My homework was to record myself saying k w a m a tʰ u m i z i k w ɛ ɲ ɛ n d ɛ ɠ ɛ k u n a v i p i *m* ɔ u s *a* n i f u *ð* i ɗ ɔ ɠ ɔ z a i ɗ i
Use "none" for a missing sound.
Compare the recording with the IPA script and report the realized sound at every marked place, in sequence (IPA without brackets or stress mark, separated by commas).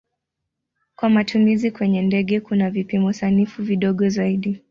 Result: m, a, v